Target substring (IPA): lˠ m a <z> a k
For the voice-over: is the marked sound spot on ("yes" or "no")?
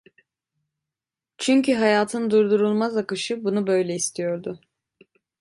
yes